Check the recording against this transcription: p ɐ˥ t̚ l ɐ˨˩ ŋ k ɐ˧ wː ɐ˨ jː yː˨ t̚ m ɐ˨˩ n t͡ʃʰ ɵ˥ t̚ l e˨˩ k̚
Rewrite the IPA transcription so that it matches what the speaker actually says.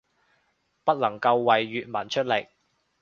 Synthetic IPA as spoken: p ɐ˥ t̚ l ɐ˨˩ ŋ k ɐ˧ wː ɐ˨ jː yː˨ t̚ m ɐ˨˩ n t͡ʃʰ ɵ˥ t̚ l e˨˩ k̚